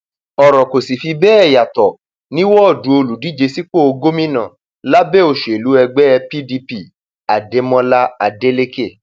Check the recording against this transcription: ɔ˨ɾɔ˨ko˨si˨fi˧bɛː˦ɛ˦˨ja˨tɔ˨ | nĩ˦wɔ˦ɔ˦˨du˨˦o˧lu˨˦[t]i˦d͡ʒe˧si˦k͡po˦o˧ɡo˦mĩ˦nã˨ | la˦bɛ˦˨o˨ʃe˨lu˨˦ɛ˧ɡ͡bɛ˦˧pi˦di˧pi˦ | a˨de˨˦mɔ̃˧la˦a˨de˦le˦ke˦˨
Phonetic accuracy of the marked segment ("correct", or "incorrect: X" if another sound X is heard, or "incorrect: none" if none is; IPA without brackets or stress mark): incorrect: d